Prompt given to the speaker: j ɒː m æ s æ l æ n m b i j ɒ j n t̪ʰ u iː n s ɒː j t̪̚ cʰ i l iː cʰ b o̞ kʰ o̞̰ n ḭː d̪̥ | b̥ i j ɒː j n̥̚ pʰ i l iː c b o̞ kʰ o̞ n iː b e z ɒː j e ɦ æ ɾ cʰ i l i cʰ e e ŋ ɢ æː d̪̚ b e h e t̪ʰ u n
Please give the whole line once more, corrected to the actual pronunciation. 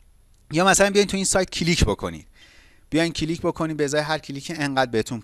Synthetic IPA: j ɒː m æ s æ l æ n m b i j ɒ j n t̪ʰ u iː n s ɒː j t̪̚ cʰ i l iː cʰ b o̞ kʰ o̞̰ n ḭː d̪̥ | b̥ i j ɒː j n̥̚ cʰ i l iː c b o̞ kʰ o̞ n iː b e z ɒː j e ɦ æ ɾ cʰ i l i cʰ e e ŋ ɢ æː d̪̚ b e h e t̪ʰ u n